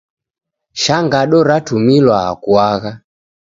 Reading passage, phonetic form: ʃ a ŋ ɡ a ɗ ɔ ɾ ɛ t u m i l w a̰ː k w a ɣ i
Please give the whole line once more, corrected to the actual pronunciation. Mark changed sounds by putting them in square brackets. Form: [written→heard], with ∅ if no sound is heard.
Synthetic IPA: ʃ a ŋ ɡ a ɗ ɔ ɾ [ɛ→a] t u m i l w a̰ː k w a ɣ [i→a]